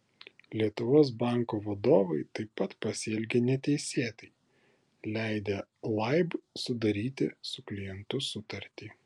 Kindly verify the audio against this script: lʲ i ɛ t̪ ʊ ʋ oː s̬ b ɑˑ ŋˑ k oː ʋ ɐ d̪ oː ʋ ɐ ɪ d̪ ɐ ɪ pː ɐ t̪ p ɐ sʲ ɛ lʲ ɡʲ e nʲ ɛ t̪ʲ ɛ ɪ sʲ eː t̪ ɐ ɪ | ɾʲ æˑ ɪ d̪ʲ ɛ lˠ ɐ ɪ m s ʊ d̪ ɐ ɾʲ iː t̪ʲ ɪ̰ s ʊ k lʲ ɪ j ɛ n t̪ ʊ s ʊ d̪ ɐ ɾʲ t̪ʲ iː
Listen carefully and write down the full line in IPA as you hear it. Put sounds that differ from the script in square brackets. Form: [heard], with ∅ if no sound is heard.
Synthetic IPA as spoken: lʲ i ɛ t̪ ʊ ʋ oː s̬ b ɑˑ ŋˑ k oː ʋ ɐ d̪ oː ʋ ɐ ɪ [t̪] ɐ ɪ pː ɐ t̪ p ɐ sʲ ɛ lʲ ɡʲ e nʲ ɛ t̪ʲ ɛ ɪ sʲ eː t̪ ɐ ɪ | [lʲ] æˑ ɪ d̪ʲ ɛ lˠ ɐ ɪ [b] s ʊ d̪ ɐ ɾʲ iː t̪ʲ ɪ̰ s ʊ k lʲ ɪ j ɛ n t̪ ʊ s ʊ [t̪] ɐ ɾʲ t̪ʲ iː